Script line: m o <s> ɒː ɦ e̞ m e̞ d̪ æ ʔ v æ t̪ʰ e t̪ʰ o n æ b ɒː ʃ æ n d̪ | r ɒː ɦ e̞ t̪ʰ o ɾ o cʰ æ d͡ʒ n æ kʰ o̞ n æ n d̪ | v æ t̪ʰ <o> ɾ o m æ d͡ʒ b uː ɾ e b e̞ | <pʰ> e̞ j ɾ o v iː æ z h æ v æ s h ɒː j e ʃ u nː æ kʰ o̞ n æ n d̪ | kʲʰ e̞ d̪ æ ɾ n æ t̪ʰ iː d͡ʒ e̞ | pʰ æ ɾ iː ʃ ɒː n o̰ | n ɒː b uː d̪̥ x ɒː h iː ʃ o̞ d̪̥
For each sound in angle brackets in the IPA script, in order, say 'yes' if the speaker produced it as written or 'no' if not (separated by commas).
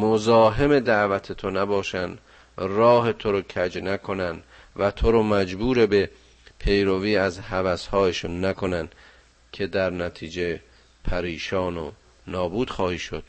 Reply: no, yes, yes